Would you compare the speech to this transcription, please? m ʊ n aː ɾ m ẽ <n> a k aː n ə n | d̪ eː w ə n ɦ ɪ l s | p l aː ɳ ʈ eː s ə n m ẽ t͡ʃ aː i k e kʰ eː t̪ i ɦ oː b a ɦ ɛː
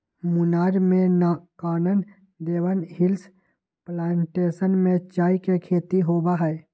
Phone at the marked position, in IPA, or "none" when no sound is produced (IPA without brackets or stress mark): n